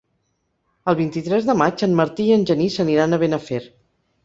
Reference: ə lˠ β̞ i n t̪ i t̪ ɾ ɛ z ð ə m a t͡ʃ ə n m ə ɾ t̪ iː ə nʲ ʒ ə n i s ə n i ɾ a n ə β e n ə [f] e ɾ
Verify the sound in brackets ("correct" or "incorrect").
correct